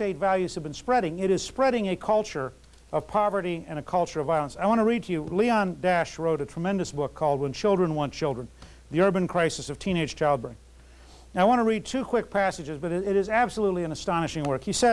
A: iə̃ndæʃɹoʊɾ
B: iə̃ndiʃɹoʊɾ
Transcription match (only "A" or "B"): A